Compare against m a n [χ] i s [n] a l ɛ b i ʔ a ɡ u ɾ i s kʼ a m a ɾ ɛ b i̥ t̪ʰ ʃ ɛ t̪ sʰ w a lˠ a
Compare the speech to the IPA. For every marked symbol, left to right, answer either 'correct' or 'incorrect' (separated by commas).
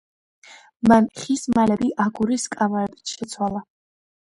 correct, incorrect